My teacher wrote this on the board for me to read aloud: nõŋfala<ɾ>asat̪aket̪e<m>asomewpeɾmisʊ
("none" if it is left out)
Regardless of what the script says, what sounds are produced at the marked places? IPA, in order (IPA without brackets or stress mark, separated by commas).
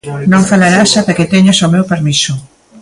ɾ, ɲ